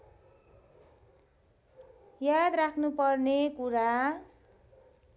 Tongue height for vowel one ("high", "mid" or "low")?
low